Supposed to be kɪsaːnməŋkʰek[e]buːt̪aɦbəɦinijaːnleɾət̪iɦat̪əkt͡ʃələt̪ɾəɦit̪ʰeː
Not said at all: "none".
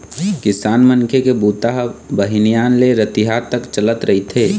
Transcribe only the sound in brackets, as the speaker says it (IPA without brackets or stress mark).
e